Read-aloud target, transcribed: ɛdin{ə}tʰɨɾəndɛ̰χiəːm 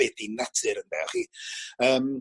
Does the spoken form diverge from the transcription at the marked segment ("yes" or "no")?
yes